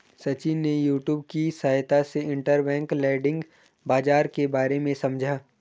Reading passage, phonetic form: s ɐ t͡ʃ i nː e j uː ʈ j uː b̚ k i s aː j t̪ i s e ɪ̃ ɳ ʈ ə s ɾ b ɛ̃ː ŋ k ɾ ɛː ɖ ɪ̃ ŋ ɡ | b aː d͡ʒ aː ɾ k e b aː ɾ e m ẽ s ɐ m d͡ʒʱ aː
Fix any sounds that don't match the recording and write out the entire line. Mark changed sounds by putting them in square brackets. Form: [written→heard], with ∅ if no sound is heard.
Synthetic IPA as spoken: s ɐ t͡ʃ i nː e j uː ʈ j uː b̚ k i s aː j t̪ [i→a] s e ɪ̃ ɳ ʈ ə [s→∅] ɾ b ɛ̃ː ŋ k [ɾ→l] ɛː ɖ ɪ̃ ŋ ɡ | b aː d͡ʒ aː ɾ k e b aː ɾ e m ẽ s ɐ m d͡ʒʱ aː